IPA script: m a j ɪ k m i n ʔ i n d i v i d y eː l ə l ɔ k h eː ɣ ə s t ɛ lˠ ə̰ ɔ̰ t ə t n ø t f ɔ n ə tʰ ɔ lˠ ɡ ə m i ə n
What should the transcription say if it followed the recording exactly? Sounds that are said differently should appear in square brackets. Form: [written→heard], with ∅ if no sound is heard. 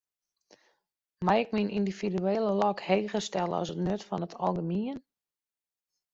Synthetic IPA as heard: m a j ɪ k m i n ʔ i n d i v i d y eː l ə l ɔ k h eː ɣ ə s t ɛ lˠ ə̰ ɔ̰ [t→s] ə t n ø t f ɔ n ə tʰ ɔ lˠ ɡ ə m i ə n